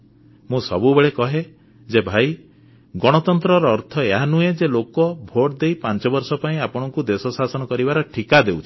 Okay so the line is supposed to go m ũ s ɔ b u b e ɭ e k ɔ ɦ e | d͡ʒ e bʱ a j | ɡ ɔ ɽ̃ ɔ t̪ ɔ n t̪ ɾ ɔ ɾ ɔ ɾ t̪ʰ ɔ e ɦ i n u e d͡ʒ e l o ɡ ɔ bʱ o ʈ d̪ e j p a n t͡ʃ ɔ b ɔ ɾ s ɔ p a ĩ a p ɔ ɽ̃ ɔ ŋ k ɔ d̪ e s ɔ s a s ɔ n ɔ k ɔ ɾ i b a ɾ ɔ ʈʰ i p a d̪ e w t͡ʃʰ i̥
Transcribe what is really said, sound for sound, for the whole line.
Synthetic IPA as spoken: m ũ s ɔ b u b e ɭ e k ɔ ɦ e | d͡ʒ e bʱ a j | ɡ ɔ ɽ̃ ɔ t̪ ɔ n t̪ ɾ ɔ ɾ ɔː ɾ t̪ʰ ɔ e ɦ a n u e d͡ʒ e l o k ɔ bʱ o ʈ d̪ e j p a n t͡ʃ ɔ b ɔ ɾ s ɔ p a ĩ a p ɔ ɽ̃ ɔ ŋ k u d̪ e s ɔ s a s ɔ n ɔ k ɔ ɾ i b a ɾ ɔ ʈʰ i k a d̪ e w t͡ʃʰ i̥